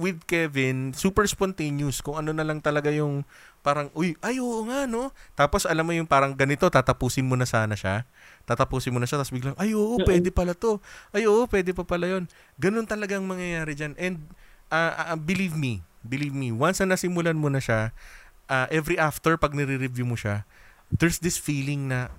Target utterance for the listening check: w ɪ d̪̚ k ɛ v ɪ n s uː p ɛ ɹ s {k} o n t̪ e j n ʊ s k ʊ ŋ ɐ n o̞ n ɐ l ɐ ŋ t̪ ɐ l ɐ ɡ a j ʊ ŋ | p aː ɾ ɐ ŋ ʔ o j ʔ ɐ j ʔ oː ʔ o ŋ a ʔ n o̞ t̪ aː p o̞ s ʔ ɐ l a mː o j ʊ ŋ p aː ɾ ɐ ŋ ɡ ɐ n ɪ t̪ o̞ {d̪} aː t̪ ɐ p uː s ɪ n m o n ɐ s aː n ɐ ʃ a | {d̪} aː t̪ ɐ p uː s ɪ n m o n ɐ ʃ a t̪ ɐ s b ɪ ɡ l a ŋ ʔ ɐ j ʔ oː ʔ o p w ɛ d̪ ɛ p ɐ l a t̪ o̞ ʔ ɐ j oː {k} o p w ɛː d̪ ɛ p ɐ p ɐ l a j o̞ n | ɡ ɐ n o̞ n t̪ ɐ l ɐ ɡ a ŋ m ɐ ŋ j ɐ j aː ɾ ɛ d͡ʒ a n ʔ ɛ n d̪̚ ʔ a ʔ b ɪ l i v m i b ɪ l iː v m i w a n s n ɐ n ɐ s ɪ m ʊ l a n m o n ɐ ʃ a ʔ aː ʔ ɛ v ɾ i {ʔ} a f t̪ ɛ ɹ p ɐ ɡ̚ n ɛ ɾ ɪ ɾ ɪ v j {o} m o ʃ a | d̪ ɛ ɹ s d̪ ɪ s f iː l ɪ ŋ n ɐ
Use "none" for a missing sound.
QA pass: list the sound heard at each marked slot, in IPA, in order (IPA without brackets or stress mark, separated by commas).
p, t̪, t̪, ʔ, ʔ, u